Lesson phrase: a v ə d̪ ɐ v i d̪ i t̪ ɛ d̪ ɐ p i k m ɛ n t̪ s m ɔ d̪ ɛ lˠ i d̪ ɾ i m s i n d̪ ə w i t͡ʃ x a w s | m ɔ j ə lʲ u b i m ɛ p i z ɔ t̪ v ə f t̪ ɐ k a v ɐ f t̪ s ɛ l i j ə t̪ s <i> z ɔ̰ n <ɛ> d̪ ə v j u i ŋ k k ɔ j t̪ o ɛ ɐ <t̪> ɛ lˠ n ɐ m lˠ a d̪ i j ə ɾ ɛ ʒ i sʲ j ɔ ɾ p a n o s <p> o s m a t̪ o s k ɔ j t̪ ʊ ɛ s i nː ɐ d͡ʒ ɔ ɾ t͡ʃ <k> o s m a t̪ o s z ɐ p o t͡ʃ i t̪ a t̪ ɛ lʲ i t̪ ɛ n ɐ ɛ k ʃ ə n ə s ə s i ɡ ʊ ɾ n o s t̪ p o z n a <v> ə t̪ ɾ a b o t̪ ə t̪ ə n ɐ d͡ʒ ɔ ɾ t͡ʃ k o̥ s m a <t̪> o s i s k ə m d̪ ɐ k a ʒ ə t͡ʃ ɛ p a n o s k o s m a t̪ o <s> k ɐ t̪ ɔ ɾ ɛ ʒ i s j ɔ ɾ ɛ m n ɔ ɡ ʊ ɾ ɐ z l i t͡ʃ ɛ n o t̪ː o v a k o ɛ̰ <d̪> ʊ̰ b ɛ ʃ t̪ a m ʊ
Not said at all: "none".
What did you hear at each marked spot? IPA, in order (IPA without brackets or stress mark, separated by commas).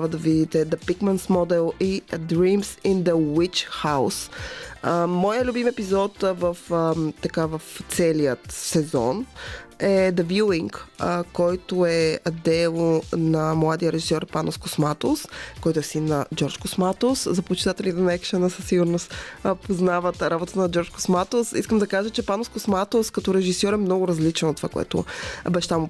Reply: ɛ, ɛ, d̪, k, k, v, t̪, s, t̪